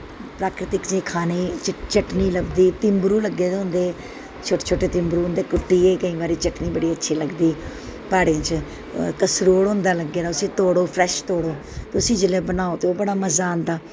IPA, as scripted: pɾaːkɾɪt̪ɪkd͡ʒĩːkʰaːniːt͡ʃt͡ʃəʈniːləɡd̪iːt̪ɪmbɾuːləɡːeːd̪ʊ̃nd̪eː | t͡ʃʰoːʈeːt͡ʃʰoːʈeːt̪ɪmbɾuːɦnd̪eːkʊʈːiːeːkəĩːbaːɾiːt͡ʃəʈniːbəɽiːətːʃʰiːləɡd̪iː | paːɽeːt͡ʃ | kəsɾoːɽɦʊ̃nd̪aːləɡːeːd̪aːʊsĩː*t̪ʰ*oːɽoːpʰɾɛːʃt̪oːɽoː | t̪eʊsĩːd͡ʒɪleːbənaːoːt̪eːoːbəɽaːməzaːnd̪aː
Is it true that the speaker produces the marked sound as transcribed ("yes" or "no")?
no